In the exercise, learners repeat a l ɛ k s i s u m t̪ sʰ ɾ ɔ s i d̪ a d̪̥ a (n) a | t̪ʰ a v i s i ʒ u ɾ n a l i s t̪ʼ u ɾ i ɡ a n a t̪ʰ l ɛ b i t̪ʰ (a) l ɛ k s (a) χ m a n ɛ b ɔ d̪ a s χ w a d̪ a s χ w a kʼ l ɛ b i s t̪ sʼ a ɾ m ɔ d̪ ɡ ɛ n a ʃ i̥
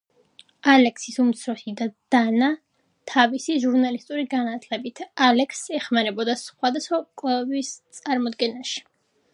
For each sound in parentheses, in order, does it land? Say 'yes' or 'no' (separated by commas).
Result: yes, yes, no